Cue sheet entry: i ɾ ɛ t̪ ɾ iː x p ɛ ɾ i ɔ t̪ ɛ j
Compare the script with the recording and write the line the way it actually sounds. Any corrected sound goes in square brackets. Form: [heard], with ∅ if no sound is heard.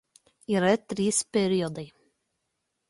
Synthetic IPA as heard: i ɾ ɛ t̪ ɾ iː [s] p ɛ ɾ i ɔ [d̪] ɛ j